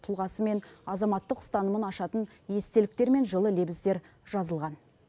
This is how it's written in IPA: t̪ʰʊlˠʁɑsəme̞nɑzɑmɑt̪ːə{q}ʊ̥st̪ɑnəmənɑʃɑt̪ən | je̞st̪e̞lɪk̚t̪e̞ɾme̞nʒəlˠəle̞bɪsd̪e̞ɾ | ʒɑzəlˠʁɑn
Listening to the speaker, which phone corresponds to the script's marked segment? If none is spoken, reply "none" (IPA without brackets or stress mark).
q